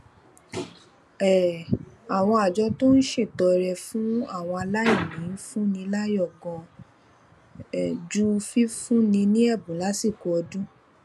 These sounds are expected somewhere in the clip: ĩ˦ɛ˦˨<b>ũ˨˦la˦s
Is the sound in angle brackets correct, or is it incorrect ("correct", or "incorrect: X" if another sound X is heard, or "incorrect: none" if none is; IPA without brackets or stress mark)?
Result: correct